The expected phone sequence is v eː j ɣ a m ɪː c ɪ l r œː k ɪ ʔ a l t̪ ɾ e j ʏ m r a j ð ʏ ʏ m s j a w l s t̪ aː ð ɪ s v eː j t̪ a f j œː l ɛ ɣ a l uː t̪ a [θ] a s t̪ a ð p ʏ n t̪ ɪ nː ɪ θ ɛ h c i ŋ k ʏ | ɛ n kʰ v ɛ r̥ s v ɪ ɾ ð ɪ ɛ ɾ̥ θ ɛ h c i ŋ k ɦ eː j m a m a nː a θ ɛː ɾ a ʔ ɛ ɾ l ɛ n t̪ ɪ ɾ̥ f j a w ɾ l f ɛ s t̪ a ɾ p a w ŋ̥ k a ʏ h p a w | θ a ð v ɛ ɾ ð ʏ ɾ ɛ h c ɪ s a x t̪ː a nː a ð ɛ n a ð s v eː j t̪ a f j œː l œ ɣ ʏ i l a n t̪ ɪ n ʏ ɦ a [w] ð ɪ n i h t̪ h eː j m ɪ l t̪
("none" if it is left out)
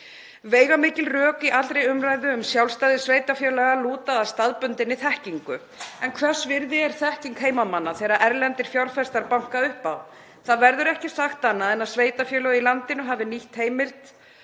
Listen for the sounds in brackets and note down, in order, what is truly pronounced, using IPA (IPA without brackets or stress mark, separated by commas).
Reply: ð, v